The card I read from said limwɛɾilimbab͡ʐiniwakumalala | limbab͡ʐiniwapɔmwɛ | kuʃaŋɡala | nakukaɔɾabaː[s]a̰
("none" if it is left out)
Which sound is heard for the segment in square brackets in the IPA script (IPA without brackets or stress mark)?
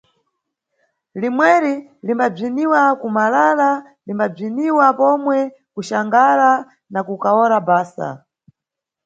s